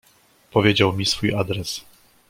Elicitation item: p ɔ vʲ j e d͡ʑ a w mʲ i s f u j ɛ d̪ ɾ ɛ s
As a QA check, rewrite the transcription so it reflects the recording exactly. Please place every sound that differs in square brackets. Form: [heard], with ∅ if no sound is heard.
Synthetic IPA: p ɔ vʲ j e d͡ʑ a w mʲ i s f u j [a] d̪ ɾ ɛ s